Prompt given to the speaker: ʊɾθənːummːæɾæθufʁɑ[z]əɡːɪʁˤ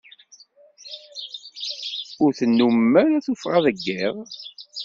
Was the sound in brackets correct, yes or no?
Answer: no